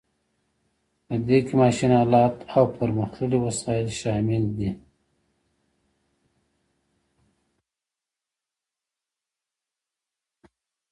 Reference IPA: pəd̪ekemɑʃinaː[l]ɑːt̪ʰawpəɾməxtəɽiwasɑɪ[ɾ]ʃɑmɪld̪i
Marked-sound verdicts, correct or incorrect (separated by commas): correct, incorrect